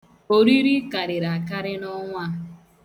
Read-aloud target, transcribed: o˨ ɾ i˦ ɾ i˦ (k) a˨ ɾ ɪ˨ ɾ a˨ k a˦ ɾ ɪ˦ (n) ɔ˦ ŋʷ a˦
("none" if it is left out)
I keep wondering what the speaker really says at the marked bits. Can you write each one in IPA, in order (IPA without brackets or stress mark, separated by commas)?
k, n